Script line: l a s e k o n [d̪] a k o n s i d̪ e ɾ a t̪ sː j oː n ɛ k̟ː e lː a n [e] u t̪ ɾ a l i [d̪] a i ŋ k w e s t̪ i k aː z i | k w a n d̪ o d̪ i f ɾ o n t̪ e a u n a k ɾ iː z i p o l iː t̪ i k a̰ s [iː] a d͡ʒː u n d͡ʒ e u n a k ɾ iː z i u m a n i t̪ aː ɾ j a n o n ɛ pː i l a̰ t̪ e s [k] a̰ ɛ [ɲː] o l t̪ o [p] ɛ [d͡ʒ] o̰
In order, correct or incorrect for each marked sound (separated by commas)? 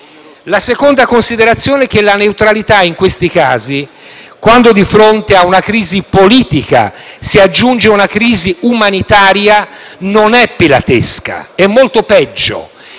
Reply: correct, correct, incorrect, incorrect, correct, incorrect, correct, incorrect